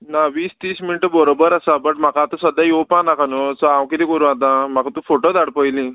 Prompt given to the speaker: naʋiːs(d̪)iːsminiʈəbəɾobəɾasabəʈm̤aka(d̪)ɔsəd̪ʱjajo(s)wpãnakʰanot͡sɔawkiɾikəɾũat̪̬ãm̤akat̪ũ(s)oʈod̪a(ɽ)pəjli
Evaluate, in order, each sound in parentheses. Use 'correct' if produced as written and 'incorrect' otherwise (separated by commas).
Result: incorrect, incorrect, incorrect, incorrect, correct